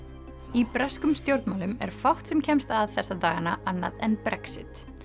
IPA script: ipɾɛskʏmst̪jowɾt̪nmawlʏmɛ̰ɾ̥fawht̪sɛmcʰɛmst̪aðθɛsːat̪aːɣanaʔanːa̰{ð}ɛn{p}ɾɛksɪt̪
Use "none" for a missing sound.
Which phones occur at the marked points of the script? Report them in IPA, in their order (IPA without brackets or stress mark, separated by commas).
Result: ð, p